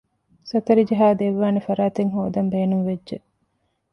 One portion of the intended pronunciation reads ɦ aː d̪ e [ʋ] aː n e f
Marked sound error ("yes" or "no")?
yes